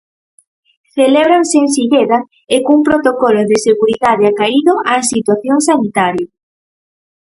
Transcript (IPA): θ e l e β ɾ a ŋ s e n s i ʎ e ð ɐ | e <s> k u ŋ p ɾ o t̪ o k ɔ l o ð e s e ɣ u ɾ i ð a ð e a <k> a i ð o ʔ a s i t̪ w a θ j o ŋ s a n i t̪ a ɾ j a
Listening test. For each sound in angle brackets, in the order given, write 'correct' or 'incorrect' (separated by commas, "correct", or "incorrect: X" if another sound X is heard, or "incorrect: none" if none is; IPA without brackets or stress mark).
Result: incorrect: none, correct